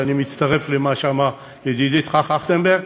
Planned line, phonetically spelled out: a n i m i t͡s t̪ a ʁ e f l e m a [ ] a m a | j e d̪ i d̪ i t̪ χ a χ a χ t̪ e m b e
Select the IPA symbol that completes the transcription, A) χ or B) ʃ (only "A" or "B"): B